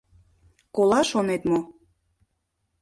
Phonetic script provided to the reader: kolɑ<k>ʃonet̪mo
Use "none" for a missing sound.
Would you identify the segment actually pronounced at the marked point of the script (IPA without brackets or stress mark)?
none